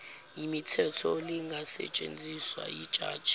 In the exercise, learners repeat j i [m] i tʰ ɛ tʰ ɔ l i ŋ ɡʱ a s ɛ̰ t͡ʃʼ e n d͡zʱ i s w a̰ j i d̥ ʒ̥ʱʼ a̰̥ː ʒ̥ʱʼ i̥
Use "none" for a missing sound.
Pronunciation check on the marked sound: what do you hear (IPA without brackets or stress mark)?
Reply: m